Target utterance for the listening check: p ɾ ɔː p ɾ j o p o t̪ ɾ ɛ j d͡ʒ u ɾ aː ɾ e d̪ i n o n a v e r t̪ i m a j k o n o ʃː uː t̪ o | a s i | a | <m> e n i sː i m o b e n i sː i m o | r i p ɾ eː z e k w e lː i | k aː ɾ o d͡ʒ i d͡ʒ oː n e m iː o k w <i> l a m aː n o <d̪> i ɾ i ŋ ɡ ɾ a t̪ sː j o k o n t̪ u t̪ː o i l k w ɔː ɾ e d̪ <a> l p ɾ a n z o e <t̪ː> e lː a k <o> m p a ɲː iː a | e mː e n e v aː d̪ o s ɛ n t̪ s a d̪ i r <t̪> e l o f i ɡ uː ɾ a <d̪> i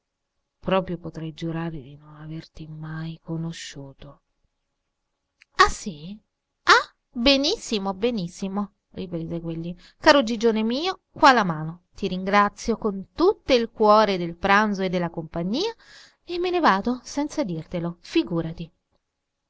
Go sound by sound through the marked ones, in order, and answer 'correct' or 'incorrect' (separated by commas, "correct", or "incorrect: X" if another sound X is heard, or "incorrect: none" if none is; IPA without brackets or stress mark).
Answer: incorrect: b, incorrect: a, incorrect: t̪, incorrect: e, incorrect: d̪ː, correct, correct, incorrect: t̪